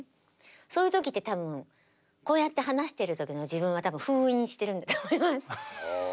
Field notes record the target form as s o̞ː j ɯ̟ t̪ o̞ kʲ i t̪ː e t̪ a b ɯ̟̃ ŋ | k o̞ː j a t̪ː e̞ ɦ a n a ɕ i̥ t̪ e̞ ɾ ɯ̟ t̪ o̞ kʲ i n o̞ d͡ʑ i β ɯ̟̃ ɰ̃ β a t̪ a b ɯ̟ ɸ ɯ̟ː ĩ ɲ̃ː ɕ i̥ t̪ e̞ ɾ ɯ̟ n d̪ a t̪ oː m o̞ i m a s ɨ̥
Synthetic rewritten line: s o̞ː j ɯ̟ t̪ o̞ kʲ i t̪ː e t̪ a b ɯ̟̃ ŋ | k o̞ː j a t̪ː e̞ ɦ a n a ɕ i̥ t̪ e̞ ɾ ɯ̟ t̪ o̞ kʲ i n o̞ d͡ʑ i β ɯ̟̃ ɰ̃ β a t̪ a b ɯ̟̃ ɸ ɯ̟ː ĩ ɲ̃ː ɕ i̥ t̪ e̞ ɾ ɯ̟ n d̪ a t̪ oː m o̞ i m a s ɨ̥